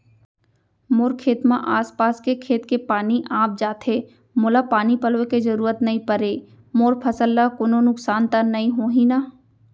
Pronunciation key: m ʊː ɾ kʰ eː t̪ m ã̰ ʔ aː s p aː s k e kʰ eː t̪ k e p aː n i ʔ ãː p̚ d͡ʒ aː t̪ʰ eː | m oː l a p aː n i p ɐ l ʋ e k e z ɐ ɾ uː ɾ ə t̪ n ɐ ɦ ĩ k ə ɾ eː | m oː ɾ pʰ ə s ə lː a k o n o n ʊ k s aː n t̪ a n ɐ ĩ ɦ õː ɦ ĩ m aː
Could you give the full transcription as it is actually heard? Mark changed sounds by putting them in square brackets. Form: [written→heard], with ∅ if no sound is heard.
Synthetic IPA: m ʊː ɾ kʰ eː t̪ m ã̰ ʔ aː s p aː s k e kʰ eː t̪ k e p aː n i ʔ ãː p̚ d͡ʒ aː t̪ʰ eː | m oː l a p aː n i p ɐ l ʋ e k e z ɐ ɾ uː ɾ ə t̪ n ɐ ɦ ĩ [k→p] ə ɾ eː | m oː ɾ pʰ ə s ə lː a k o n o n ʊ k s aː n t̪ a n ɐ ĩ ɦ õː ɦ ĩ [m→n] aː